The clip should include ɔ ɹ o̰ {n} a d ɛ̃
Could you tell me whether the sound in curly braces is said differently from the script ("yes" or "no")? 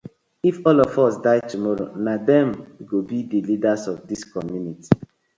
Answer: no